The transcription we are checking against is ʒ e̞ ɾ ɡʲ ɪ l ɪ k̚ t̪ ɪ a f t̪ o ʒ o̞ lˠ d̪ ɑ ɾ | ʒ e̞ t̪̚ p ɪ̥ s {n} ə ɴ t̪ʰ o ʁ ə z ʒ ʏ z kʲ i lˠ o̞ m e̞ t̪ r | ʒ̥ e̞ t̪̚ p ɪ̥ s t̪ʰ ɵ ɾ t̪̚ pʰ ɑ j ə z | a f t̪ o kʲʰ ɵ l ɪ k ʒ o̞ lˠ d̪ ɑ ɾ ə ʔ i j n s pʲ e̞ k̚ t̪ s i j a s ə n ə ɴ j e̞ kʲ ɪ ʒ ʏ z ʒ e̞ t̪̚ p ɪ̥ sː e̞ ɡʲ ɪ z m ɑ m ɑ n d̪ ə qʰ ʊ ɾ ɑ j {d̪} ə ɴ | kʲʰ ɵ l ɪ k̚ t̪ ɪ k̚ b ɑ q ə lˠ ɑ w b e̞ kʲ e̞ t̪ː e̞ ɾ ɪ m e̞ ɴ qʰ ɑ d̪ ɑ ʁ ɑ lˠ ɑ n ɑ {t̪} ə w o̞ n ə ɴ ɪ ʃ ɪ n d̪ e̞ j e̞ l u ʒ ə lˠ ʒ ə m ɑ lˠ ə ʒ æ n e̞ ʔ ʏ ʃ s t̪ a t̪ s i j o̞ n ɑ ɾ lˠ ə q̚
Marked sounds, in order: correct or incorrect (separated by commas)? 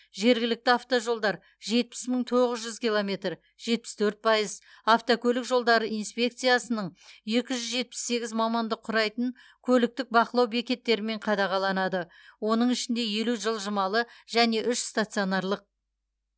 incorrect, incorrect, incorrect